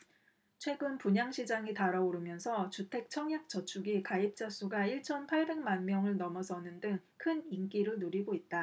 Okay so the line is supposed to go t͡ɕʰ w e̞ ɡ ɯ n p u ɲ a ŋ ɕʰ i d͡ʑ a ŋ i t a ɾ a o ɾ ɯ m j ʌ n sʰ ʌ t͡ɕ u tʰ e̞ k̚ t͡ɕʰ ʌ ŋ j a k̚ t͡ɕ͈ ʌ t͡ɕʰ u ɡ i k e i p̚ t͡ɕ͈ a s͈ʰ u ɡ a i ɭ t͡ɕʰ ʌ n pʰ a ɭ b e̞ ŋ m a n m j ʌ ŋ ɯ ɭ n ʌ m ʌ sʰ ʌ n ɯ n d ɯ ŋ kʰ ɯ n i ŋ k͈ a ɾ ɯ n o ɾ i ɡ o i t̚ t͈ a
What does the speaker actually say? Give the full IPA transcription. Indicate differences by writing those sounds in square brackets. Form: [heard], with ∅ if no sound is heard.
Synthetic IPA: t͡ɕʰ w e̞ ɡ ɯ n p u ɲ a ŋ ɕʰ i d͡ʑ a ŋ i t a ɾ a o ɾ ɯ m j ʌ n sʰ ʌ t͡ɕ u tʰ e̞ k̚ t͡ɕʰ ʌ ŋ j a k̚ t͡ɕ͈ ʌ t͡ɕʰ u ɡ i k [a] i p̚ t͡ɕ͈ a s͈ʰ u ɡ a i ɭ t͡ɕʰ ʌ n pʰ a ɭ b e̞ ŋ m a n m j ʌ ŋ ɯ ɭ n ʌ m ʌ sʰ ʌ n ɯ n d ɯ ŋ kʰ ɯ n i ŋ k͈ [i] ɾ ɯ n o ɾ i ɡ o i t̚ t͈ a

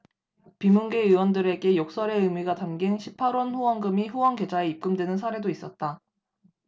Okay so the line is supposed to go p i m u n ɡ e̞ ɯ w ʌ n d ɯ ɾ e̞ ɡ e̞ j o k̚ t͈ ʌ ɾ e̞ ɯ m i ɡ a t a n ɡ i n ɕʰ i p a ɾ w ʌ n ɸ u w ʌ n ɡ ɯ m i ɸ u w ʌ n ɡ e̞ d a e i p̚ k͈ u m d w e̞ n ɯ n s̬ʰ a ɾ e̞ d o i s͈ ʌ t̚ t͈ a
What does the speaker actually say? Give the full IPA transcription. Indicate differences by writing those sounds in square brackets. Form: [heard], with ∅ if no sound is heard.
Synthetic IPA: p i m u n ɡ e̞ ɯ w ʌ n d ɯ ɾ e̞ ɡ e̞ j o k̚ [s͈] ʌ ɾ e̞ ɯ m i ɡ a t a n ɡ i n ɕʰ i [pʰ] a ɾ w ʌ n ɸ u w ʌ n ɡ ɯ m i ɸ u w ʌ n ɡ e̞ [d͡ʑ] a e i p̚ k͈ [ɯ] m d w e̞ n ɯ n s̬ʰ a ɾ e̞ d o i s͈ ʌ t̚ t͈ a

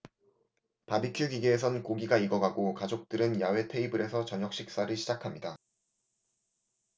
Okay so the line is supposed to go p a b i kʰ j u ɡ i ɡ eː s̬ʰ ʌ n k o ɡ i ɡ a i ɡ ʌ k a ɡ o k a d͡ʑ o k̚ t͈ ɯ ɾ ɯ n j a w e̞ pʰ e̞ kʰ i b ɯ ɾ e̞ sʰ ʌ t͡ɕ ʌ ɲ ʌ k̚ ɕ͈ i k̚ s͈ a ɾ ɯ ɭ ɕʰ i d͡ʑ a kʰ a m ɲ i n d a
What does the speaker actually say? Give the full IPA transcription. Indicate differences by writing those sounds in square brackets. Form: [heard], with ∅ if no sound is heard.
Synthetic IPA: p a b i kʰ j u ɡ i ɡ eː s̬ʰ ʌ n k o ɡ i ɡ a i ɡ ʌ [ɡ] a ɡ o k a d͡ʑ o k̚ t͈ ɯ ɾ ɯ n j a w e̞ [tʰ] e̞ [∅] i b ɯ ɾ e̞ sʰ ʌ t͡ɕ ʌ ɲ ʌ k̚ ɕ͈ i k̚ s͈ a ɾ ɯ ɭ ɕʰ i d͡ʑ a kʰ a m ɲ i [∅] d a

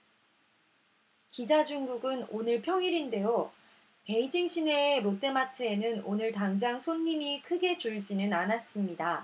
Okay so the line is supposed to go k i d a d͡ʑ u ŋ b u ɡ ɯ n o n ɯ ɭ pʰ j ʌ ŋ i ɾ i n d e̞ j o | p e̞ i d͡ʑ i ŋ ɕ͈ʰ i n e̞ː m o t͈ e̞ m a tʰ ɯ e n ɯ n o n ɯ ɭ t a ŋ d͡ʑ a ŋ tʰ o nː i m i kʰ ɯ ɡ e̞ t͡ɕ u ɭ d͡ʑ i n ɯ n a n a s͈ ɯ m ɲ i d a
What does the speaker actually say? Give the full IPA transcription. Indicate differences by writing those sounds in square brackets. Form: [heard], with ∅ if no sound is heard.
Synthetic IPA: k i [d͡ʑ] a d͡ʑ u ŋ [ɡ] u ɡ ɯ n o n ɯ ɭ pʰ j ʌ ŋ i ɾ i n d e̞ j o | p e̞ i d͡ʑ i ŋ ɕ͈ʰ i n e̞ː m o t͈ e̞ m a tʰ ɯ e n ɯ n o n ɯ ɭ t a ŋ d͡ʑ a ŋ [sʰ] o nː i m i kʰ ɯ ɡ e̞ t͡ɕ u ɭ d͡ʑ i n ɯ n a n a s͈ ɯ m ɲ i d a

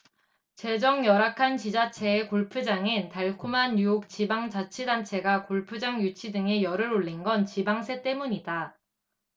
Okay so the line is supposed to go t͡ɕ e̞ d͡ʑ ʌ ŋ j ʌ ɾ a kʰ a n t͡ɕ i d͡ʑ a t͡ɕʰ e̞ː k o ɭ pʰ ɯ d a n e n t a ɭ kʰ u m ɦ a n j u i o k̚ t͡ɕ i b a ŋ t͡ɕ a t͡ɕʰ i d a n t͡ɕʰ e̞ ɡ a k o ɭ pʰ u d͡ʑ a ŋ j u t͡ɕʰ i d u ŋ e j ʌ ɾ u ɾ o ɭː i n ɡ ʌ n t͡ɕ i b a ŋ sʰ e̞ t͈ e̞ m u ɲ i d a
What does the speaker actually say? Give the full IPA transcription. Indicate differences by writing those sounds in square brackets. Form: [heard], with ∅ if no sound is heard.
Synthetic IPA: t͡ɕ e̞ d͡ʑ ʌ ŋ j ʌ ɾ a kʰ a n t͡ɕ i d͡ʑ a t͡ɕʰ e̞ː k o ɭ pʰ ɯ [d͡ʑ] a [ŋ] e n t a ɭ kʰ u m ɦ a n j u [j] o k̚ t͡ɕ i b a ŋ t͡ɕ a t͡ɕʰ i d a n t͡ɕʰ e̞ ɡ a k o ɭ pʰ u d͡ʑ a ŋ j u t͡ɕʰ i d [ɯ] ŋ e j ʌ ɾ [ɯ] ɾ o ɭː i n ɡ ʌ n t͡ɕ i b a ŋ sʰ e̞ t͈ e̞ m u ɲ i d a

